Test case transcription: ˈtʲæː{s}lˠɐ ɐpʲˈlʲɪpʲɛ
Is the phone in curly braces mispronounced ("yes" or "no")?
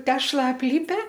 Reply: yes